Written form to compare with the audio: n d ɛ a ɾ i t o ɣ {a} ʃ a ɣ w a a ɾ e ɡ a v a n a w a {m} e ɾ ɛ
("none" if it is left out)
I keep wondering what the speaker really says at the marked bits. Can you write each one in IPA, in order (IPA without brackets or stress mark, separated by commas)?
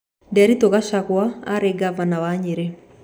a, ɲ